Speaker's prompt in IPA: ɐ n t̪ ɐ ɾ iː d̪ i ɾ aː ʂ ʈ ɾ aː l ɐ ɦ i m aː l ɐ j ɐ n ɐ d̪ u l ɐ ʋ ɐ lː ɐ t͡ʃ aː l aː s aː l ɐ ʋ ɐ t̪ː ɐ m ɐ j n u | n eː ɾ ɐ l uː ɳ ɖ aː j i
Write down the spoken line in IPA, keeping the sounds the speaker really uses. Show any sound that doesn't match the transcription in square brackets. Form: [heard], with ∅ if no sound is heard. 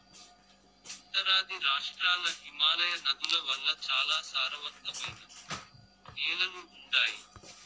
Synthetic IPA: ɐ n t̪ ɐ ɾ [aː] d̪ i ɾ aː ʂ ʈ ɾ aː l ɐ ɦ i m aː l ɐ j ɐ n ɐ d̪ u l ɐ ʋ ɐ lː ɐ t͡ʃ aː l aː s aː [ɾ] ɐ ʋ ɐ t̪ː ɐ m ɐ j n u | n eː [l] ɐ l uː ɳ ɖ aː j i